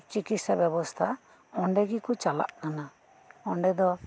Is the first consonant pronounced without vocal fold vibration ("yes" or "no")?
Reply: yes